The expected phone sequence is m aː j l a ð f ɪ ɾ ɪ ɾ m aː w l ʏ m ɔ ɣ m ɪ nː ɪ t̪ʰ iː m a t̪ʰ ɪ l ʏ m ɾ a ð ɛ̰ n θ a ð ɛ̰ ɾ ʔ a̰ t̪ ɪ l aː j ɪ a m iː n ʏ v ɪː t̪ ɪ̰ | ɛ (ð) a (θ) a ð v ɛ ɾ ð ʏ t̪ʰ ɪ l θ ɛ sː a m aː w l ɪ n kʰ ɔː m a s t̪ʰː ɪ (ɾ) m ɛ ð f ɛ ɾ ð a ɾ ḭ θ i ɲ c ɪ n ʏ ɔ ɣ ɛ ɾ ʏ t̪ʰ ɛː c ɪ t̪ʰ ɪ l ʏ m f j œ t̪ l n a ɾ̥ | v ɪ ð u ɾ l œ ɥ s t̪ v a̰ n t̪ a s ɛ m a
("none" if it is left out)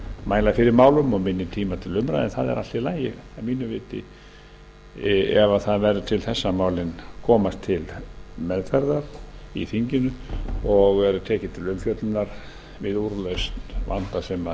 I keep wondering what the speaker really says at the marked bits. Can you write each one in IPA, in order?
v, θ, l

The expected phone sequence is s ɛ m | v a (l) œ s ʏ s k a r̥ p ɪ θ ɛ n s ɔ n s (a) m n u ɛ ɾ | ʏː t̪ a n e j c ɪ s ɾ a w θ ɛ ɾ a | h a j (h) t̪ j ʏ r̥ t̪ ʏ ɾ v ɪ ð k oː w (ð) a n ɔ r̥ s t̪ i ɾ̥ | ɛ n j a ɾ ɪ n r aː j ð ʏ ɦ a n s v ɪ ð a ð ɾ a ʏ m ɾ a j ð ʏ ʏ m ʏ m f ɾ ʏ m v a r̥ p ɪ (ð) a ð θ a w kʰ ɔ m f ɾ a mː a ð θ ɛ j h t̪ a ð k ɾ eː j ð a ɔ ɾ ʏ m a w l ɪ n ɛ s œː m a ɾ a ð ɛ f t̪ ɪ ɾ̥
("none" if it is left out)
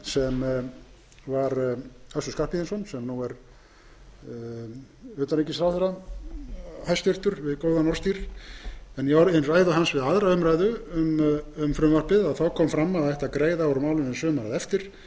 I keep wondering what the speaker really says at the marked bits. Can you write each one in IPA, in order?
ɾ, ɛ, s, ð, ð

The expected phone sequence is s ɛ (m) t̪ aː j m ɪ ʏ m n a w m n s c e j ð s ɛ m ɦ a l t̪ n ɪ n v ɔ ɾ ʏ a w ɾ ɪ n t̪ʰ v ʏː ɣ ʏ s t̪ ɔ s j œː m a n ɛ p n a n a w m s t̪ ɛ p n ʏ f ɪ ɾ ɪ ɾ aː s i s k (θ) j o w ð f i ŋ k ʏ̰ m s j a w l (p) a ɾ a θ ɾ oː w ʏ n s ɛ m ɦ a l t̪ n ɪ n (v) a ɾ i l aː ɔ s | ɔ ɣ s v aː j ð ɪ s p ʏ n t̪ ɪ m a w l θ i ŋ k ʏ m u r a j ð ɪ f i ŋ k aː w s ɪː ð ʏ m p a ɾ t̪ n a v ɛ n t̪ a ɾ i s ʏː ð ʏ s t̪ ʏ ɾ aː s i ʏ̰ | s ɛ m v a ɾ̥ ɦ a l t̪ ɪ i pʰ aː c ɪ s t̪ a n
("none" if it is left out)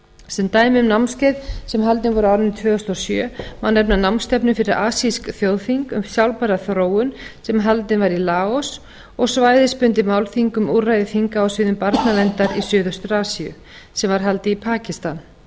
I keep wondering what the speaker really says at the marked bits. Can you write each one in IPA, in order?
n, θ, p, v

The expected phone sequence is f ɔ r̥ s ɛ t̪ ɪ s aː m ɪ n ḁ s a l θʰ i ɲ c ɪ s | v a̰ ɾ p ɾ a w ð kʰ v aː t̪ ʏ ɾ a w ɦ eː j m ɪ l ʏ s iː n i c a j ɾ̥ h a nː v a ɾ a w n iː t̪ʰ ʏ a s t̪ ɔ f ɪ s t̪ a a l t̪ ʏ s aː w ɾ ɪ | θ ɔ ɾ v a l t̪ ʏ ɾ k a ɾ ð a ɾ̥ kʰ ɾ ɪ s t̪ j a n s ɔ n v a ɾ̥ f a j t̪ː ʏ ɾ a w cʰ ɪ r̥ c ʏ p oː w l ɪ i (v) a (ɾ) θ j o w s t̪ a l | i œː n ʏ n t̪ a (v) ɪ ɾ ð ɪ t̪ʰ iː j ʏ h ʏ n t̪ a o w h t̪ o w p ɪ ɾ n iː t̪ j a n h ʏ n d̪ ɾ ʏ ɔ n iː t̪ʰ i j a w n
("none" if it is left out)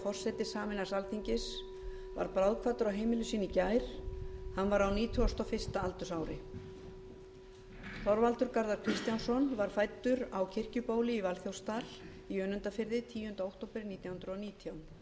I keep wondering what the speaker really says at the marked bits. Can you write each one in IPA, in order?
v, l, f

